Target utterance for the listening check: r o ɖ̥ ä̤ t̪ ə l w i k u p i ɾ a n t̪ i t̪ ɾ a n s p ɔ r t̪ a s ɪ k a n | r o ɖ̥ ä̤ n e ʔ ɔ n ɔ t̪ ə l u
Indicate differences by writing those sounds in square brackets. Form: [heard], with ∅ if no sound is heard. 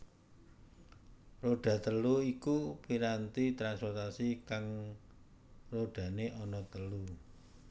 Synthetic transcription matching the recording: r o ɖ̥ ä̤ t̪ ə l [u] i k u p i ɾ a n t̪ i t̪ ɾ a n s p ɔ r t̪ a s [i] k a [ŋ] | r o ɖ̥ ä̤ n e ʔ ɔ n ɔ t̪ ə l u